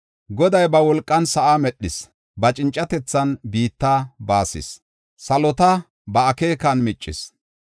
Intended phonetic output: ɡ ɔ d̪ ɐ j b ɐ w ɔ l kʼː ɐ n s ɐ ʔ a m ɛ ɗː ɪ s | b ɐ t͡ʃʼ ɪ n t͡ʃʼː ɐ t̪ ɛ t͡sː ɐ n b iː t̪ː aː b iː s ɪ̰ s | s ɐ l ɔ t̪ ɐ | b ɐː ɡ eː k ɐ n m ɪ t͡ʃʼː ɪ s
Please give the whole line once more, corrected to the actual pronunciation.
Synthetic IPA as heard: ɡ ɔ d̪ ɐ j b ɐ w ɔ l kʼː ɐ n s ɐ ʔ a m ɛ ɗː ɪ s | b ɐ t͡ʃʼ ɪ n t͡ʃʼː ɐ t̪ ɛ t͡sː ɐ n b iː t̪ː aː b aː s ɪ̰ s | s ɐ l ɔ t̪ ɐ | b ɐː k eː k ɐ n m ɪ t͡ʃʼː ɪ s